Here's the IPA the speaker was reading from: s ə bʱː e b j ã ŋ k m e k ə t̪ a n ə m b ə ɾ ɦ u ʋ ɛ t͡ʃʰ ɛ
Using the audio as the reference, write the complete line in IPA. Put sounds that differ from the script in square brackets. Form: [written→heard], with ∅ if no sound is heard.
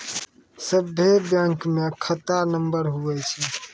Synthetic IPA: s ə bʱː e b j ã ŋ k m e [k→kʰ] ə t̪ a n ə m b ə ɾ ɦ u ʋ ɛ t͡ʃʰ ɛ